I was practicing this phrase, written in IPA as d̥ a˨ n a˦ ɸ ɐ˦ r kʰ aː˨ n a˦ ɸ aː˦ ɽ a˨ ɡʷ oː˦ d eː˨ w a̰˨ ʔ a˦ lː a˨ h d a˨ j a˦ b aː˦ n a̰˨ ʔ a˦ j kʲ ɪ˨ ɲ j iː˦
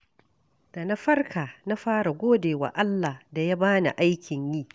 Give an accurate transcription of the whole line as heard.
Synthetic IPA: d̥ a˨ n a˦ ɸ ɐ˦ r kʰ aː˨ n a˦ ɸ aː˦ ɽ a˨ ɡʷ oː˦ d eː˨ w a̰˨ ʔ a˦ lː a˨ h d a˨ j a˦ b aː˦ n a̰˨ ʔ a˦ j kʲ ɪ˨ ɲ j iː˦